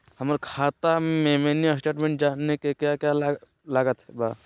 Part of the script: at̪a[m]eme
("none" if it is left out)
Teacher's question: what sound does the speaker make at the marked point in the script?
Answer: m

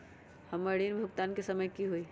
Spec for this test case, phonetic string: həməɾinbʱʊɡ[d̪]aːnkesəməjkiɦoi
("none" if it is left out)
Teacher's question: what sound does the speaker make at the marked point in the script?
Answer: t̪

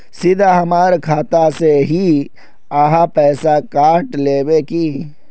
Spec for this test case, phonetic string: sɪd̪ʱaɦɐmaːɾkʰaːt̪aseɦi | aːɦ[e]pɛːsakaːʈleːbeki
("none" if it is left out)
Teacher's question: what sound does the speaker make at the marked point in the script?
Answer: a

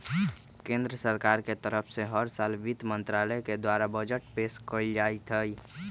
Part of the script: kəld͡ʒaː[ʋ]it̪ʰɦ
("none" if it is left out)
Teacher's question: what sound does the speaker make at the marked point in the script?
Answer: none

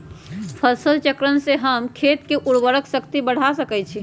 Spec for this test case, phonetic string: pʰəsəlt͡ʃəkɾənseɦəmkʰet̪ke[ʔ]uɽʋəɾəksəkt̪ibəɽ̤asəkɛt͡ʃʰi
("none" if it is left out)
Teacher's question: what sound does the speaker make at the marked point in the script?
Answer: ʔ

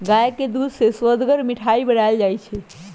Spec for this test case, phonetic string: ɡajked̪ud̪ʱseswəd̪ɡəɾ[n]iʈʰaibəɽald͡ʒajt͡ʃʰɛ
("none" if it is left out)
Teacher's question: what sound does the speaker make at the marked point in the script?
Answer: m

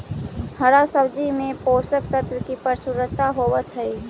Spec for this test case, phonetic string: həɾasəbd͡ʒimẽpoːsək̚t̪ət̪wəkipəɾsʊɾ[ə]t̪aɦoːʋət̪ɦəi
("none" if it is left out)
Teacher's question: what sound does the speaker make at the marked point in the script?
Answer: ə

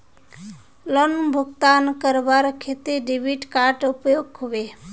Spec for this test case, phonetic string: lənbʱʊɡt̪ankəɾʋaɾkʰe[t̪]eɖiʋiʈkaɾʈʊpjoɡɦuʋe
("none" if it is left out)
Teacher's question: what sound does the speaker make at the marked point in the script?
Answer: t̪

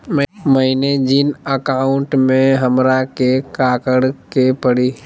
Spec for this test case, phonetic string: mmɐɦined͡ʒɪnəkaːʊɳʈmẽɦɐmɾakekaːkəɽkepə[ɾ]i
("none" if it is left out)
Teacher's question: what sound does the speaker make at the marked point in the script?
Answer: ɽ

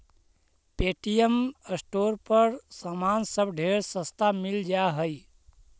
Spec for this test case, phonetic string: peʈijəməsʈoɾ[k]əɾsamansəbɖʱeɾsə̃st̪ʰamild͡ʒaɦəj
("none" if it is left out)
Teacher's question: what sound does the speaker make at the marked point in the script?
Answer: p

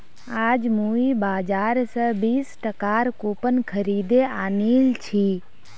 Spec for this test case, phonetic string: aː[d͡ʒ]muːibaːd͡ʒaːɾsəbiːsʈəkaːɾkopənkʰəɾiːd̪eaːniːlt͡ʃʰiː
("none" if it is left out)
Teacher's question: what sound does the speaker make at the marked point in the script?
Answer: d͡ʒ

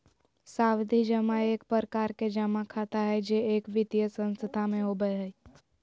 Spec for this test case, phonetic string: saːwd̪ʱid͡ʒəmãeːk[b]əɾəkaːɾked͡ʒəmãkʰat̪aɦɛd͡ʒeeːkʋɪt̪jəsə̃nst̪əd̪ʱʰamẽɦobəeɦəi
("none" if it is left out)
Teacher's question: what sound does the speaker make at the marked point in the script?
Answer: p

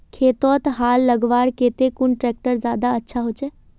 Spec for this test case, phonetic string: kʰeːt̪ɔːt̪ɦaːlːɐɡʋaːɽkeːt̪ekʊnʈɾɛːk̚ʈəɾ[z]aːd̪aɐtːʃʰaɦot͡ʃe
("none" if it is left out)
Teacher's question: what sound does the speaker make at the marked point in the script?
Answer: z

